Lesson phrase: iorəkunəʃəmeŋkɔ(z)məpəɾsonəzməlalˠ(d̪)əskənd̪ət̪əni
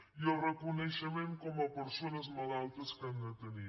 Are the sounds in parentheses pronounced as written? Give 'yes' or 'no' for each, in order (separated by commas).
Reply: no, no